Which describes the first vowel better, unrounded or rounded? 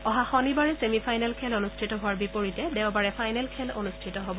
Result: rounded